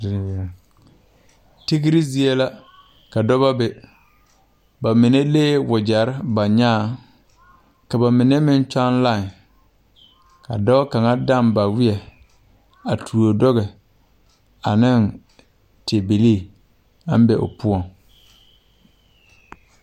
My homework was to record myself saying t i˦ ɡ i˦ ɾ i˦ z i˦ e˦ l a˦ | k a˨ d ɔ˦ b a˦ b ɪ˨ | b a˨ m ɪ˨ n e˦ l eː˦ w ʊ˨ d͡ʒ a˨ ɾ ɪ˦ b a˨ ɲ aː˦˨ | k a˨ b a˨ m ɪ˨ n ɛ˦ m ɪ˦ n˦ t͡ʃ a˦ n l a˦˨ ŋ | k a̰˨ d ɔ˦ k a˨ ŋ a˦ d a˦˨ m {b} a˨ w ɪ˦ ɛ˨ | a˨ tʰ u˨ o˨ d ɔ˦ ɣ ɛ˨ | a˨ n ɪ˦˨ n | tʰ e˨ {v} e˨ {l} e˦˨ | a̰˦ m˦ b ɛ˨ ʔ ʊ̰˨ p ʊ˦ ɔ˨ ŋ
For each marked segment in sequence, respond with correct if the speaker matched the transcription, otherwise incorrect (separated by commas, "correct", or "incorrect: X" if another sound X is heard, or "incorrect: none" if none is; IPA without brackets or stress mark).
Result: correct, incorrect: b, correct